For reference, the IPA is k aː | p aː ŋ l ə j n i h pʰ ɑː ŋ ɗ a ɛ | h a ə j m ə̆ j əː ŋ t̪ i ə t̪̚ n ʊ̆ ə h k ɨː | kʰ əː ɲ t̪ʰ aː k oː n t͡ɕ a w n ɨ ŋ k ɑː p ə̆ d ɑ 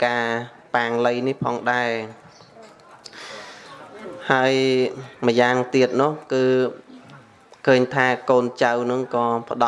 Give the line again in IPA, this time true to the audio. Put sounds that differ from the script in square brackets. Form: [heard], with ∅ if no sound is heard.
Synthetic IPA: k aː | p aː ŋ l ə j n i h pʰ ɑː ŋ ɗ a ɛ | h a ə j m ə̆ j [aː] ŋ t̪ i ə t̪̚ n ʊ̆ ə h k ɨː | kʰ əː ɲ t̪ʰ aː k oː n t͡ɕ a w n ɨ ŋ k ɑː p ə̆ [ɗ] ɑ